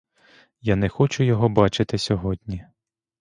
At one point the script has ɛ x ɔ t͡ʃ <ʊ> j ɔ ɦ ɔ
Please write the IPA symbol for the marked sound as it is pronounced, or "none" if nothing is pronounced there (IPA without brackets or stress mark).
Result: ʊ